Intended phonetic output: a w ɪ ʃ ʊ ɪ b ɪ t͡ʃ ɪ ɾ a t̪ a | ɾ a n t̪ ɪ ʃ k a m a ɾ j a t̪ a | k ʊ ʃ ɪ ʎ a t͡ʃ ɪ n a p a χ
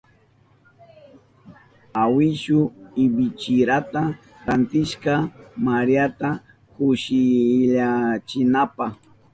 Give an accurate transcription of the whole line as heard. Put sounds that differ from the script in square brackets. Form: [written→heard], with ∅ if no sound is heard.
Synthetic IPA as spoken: a w ɪ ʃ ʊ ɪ b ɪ t͡ʃ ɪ ɾ a t̪ a | ɾ a n t̪ ɪ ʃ k a m a ɾ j a t̪ a | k ʊ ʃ ɪ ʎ a t͡ʃ ɪ n a p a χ

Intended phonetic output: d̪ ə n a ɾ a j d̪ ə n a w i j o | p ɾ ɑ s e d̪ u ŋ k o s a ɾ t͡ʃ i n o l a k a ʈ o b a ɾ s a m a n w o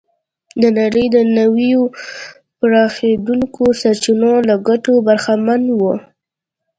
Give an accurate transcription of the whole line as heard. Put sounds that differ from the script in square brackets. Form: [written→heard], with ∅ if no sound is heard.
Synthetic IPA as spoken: d̪ ə n a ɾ [a→ə] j d̪ ə n a w i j o | p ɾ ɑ [s→x] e d̪ u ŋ k o s a ɾ t͡ʃ i n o l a [k→ɡ] a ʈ o b a ɾ [s→x] a m a n w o

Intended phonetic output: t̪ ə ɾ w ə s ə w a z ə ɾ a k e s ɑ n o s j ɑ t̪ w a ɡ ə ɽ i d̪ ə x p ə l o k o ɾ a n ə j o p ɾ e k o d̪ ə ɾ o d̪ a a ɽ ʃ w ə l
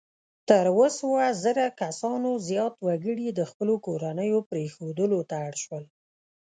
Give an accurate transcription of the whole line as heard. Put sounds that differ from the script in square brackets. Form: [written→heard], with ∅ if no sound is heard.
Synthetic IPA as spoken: t̪ ə ɾ w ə s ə w a z ə ɾ a k [e→a] s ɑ n o [s→z] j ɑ t̪ w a ɡ ə ɽ i d̪ ə x p ə l o k o ɾ a n ə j o p ɾ e [k→x] o d̪ ə [ɾ→l] o [d̪→t̪] a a ɽ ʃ w ə l

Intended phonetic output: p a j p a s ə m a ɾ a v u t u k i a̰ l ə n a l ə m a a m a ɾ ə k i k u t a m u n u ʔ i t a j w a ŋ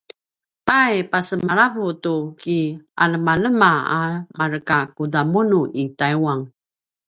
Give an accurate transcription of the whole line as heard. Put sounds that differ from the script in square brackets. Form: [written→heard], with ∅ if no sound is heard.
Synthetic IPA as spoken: p a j p a s ə m a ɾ a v u t u k i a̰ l ə [n→m] a l ə m a a m a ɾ ə k [i→a] k u [t→d] a m u n u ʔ i t a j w a ŋ

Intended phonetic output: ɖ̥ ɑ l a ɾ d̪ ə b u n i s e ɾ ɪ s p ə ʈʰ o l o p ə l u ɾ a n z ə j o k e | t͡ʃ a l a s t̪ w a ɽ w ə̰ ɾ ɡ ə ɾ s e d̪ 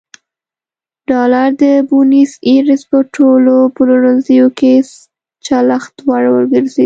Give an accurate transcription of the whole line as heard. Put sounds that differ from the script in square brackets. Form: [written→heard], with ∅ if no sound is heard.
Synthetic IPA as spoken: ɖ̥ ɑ l a ɾ d̪ ə b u n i s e ɾ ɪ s p ə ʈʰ o l o p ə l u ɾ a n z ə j o k e | t͡ʃ a l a [s→x] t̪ w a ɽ w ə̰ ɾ ɡ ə ɾ [s→z] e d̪

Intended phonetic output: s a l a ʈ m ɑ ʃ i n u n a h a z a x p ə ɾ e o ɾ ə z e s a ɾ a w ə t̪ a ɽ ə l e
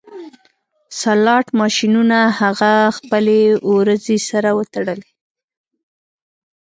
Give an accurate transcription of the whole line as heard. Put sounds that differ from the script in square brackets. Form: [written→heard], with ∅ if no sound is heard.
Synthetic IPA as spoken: s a l [a→ɑ] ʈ m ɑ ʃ i n u n a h a [z→ɣ] a x p ə [ɾ→l] e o ɾ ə z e s a ɾ a w ə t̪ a ɽ ə l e

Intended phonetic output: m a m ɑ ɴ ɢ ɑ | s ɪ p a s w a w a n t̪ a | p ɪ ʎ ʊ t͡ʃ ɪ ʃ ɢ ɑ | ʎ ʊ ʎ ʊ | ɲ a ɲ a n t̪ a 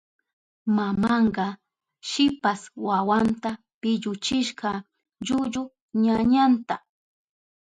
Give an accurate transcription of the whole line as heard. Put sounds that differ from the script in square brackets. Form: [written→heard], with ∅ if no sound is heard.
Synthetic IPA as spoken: m a m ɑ ɴ ɢ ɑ | [s→ʃ] ɪ p a s w a w a n t̪ a | p ɪ ʎ ʊ t͡ʃ ɪ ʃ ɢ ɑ | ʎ ʊ ʎ ʊ | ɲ a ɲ a n t̪ a

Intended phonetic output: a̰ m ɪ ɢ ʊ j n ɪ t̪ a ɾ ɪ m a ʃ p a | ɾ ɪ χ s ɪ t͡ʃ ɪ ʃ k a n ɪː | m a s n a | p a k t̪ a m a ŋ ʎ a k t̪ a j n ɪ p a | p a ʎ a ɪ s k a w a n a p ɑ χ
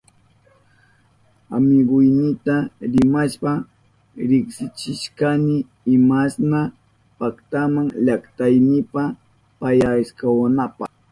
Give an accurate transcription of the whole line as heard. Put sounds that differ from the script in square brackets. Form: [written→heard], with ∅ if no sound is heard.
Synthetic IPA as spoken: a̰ m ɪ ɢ ʊ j n ɪ t̪ a ɾ ɪ m a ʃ p a | ɾ ɪ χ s ɪ t͡ʃ ɪ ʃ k a n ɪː | m a s n a | p a k t̪ a m a ŋ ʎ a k t̪ a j n ɪ p a | p a [ʎ→j] a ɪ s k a w a n a p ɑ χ

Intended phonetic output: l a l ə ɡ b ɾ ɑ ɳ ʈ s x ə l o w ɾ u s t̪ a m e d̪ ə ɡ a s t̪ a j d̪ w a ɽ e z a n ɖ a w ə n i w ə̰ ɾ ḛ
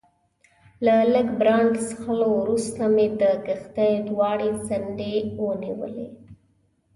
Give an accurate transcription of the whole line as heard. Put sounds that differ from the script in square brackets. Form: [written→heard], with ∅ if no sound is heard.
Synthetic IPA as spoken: l a l ə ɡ b ɾ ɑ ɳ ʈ s x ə l o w ɾ u s t̪ a m e d̪ ə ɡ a [s→x] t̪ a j d̪ w [a→ɑ] ɽ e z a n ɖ [a→e] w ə n i w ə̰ [ɾ→l] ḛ

